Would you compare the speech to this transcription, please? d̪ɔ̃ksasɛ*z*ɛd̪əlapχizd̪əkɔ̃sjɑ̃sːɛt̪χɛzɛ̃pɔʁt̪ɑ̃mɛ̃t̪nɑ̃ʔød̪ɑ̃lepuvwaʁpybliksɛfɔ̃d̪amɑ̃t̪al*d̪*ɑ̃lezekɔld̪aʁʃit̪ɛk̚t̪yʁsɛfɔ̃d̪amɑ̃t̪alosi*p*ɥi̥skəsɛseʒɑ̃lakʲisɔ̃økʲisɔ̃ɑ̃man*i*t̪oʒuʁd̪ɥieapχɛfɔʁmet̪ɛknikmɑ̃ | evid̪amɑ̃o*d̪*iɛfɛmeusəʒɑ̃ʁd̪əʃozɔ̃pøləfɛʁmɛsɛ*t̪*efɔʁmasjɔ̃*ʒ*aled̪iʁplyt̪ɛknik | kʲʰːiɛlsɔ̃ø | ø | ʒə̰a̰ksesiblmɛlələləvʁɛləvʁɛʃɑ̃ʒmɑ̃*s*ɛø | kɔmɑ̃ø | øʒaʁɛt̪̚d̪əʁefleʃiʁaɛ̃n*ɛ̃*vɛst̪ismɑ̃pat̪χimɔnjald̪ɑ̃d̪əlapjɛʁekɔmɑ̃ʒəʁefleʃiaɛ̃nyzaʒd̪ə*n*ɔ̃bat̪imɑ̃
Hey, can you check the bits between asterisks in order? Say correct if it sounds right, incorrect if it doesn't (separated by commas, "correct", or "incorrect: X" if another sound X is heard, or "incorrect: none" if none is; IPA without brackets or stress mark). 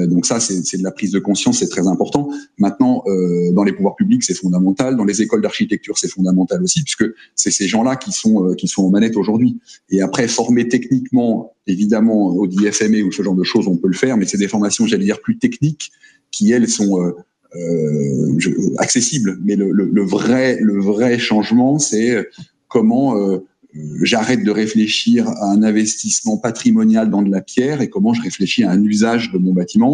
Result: incorrect: s, correct, correct, incorrect: ɛ, correct, incorrect: d̪, correct, correct, correct, incorrect: m